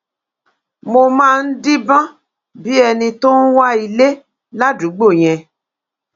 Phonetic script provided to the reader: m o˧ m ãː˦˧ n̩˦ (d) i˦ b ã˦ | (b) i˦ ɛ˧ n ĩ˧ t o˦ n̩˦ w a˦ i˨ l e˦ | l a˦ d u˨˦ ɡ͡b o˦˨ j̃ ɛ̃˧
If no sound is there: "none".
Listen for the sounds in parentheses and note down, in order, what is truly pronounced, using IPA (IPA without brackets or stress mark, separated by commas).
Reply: d, b